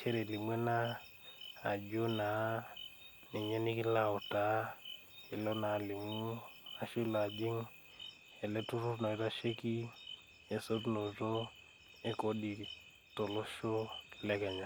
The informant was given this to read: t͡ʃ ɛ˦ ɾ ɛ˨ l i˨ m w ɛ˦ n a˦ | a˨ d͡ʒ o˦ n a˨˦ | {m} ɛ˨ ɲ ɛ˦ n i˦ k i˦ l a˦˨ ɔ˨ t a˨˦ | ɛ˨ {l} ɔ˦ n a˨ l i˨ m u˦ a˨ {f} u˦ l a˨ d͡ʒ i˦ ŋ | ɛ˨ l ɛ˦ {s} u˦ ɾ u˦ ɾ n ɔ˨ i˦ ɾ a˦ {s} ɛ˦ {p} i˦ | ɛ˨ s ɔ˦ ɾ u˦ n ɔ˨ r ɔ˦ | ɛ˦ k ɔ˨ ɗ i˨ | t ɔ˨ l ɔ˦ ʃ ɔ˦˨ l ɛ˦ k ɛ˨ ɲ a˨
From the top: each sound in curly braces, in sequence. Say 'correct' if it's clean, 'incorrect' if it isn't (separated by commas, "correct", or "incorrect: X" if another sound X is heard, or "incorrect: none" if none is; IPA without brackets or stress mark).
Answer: incorrect: n, correct, incorrect: ʃ, incorrect: t, incorrect: ʃ, incorrect: k